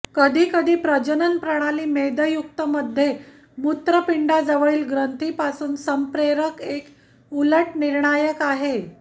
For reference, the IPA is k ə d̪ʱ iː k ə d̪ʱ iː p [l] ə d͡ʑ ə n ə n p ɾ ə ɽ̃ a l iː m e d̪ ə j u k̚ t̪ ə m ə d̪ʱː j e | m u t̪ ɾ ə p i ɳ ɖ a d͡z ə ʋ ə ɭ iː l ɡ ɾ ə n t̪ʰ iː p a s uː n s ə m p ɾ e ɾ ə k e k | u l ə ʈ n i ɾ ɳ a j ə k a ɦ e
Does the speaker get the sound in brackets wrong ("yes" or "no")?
yes